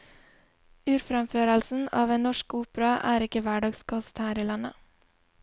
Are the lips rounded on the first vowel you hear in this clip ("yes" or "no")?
yes